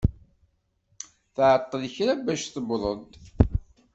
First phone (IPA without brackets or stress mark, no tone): θ